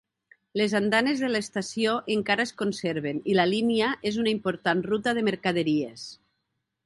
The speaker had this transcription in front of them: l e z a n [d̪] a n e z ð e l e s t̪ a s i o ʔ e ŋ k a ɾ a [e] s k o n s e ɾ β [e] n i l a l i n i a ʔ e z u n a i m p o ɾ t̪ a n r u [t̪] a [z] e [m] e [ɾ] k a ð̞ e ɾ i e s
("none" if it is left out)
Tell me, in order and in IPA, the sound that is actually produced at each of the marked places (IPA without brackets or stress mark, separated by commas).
d̪, e, e, t̪, ð, m, ɾ